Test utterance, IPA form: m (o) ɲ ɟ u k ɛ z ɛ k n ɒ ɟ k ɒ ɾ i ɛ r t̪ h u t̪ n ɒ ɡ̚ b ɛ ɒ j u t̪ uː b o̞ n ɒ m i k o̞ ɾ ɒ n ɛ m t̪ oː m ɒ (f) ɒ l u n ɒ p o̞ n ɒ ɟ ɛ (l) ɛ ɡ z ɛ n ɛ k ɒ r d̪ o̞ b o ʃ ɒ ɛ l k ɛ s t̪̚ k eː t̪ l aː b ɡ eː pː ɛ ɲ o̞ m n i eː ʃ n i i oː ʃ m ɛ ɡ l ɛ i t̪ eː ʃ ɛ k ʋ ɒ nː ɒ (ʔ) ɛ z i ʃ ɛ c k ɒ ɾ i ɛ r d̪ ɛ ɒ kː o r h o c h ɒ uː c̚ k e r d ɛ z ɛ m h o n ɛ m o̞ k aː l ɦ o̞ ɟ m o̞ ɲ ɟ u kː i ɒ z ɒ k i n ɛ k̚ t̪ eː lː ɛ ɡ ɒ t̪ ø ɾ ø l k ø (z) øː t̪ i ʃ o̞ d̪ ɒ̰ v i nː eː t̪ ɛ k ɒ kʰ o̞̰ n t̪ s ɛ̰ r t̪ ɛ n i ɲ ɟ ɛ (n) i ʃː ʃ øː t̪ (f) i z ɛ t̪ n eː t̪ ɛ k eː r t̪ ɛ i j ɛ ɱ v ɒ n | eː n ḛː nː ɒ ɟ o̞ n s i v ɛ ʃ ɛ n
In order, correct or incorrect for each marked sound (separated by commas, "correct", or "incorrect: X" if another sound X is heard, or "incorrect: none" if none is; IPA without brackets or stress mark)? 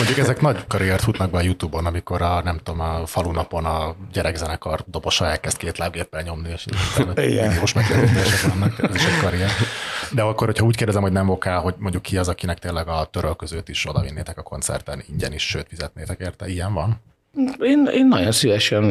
correct, correct, incorrect: ɾ, incorrect: k, correct, correct, correct